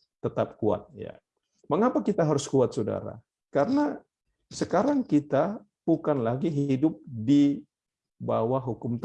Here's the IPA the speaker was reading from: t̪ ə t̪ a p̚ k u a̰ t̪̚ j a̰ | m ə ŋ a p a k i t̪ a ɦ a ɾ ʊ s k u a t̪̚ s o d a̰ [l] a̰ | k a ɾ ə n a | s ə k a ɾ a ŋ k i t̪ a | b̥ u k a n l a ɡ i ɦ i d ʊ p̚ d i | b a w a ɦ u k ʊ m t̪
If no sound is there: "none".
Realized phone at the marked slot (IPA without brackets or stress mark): ɾ